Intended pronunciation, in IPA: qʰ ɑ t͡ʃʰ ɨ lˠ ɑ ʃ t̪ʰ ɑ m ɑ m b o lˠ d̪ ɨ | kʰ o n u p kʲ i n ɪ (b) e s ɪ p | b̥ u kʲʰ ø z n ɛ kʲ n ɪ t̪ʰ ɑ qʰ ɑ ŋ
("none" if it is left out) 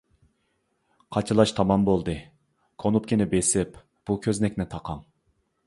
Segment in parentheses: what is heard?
b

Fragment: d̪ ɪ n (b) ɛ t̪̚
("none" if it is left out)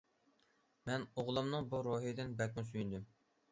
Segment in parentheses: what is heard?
b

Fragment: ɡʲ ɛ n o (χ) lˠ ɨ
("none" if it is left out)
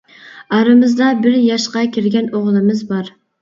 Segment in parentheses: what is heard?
ʁ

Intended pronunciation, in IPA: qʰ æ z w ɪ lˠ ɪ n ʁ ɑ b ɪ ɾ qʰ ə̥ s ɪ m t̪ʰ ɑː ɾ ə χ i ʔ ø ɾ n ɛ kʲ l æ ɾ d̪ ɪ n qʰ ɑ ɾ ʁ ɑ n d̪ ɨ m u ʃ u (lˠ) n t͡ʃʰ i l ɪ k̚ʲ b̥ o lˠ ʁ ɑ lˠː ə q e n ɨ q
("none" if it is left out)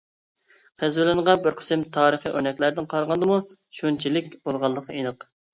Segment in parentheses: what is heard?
none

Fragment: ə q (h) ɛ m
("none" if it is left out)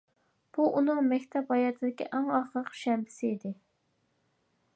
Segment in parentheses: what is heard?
ʃ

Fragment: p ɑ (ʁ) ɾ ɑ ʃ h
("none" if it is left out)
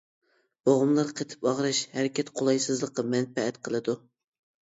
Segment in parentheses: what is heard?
ʁ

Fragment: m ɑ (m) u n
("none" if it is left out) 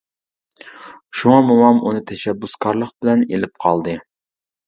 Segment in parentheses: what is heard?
m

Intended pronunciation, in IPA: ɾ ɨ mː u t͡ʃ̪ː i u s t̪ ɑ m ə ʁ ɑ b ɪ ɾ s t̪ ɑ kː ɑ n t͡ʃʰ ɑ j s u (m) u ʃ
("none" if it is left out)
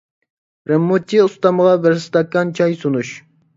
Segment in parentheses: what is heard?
n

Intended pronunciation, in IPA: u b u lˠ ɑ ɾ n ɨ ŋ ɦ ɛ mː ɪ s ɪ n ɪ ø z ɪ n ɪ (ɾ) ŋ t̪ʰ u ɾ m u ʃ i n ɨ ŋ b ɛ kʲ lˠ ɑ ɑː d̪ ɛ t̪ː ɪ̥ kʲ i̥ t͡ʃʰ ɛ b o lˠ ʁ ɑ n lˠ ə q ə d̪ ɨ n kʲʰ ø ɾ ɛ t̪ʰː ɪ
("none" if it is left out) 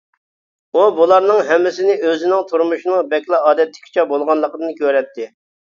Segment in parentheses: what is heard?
none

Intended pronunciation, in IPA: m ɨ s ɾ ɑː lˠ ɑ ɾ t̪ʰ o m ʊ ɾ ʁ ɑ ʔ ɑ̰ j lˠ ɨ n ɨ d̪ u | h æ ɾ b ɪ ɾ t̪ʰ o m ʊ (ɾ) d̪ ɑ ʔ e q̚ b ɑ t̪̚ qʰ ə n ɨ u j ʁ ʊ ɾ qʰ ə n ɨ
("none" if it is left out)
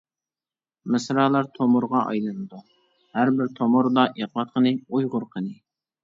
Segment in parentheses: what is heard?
ɾ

